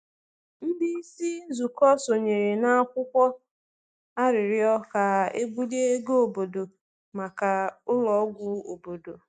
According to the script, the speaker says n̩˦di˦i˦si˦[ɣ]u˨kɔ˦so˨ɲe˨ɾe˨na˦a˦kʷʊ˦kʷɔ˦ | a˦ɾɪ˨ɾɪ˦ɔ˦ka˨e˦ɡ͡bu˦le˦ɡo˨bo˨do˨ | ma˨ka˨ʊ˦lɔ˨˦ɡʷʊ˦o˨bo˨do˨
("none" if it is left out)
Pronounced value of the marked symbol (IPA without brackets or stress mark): z